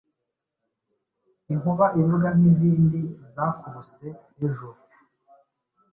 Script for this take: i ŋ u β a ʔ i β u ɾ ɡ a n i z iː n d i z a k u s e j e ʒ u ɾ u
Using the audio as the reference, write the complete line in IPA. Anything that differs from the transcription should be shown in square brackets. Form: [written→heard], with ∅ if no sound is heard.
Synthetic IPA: i ŋ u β a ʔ i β u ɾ ɡ a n i z iː n d i z a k u s e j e ʒ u ɾ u